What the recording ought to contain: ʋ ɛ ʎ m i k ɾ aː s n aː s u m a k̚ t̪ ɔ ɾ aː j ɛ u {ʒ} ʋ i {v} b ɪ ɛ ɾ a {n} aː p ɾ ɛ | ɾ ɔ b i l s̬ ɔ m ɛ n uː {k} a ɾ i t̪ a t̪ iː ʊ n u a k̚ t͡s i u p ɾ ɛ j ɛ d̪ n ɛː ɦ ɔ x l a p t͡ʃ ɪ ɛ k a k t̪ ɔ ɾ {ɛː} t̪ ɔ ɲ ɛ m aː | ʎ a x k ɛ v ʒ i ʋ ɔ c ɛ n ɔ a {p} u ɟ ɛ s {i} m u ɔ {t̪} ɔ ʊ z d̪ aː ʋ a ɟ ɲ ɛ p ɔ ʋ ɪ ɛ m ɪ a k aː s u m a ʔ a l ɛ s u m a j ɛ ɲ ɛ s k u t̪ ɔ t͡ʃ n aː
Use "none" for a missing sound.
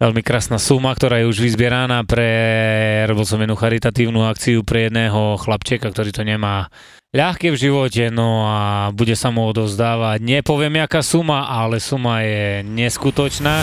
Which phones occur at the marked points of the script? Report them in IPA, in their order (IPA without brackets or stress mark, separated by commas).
ʒ, z, n, x, iː, b, a, d̪